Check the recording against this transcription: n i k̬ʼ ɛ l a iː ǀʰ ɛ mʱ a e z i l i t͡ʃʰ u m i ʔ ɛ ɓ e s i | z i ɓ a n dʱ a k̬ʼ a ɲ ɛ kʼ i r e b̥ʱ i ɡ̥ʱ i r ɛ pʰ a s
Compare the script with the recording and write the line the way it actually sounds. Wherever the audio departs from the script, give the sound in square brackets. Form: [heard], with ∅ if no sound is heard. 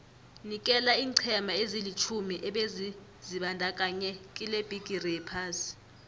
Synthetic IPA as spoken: n i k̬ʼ ɛ l a iː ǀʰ ɛ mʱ a e z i l i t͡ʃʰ u m i ʔ ɛ ɓ e [z] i | z i ɓ a n dʱ a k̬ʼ a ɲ ɛ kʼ i [l] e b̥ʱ i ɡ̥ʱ i r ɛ pʰ a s